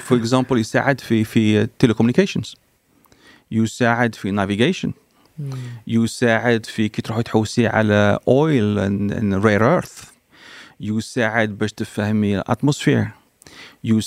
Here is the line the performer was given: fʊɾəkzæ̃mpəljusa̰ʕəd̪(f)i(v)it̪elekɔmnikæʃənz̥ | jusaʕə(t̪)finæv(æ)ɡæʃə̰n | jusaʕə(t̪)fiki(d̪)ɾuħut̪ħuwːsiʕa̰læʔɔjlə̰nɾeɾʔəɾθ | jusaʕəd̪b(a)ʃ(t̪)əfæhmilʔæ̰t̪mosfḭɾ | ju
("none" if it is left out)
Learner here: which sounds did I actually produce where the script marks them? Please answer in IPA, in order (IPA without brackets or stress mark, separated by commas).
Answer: f, f, d̪, i, d̪, t̪, æ, t̪